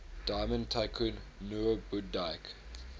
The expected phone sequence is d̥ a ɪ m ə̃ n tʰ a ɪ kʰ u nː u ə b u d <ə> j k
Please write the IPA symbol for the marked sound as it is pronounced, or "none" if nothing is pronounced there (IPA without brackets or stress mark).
a